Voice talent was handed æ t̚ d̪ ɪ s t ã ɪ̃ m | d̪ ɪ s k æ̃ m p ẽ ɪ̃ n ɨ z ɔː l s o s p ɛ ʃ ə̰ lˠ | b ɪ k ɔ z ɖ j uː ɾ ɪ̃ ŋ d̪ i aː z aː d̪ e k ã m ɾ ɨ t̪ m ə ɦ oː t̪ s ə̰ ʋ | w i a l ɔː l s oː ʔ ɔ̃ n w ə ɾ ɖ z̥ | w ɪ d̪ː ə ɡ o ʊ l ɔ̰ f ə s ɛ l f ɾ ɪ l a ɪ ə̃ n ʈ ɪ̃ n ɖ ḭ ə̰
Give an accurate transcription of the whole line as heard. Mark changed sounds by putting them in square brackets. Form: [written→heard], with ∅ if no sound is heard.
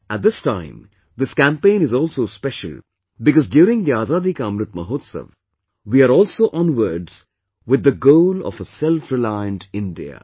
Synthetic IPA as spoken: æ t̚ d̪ ɪ s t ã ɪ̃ m | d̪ ɪ s k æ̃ m p ẽ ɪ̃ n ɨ z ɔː l s o s p ɛ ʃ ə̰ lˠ | b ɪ k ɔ z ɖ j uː ɾ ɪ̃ ŋ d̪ i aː z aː d̪ [e→i] k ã m ɾ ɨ t̪ m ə ɦ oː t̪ s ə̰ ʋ | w i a [l→ɾ] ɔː l s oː ʔ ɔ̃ n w ə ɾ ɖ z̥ | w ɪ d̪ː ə ɡ o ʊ l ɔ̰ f ə s ɛ l f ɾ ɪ l a ɪ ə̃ n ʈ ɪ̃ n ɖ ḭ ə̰